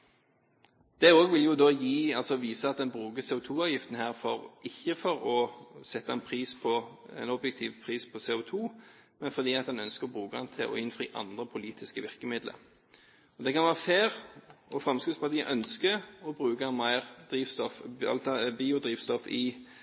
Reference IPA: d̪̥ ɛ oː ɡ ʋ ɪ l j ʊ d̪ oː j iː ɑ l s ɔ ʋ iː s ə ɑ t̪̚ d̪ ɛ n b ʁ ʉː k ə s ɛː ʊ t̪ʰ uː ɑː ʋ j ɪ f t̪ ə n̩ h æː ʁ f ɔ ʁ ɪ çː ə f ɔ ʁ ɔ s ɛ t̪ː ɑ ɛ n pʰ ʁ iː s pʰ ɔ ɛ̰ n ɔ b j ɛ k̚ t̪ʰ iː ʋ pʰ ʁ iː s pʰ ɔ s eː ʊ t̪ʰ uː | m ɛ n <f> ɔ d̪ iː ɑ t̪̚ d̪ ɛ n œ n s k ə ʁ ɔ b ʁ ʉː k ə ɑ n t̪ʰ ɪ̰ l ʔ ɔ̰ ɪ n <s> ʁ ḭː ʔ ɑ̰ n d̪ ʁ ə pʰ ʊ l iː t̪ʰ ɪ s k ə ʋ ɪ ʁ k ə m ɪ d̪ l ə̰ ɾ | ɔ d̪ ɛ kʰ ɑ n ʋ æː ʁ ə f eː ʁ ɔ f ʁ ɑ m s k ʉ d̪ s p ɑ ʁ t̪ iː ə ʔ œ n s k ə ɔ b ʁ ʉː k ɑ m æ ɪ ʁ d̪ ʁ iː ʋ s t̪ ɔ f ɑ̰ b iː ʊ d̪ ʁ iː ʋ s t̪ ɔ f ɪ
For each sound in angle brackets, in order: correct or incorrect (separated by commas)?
correct, incorrect